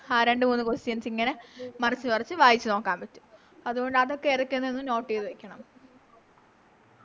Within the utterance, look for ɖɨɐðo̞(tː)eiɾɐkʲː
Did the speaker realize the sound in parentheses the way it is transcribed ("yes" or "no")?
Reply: no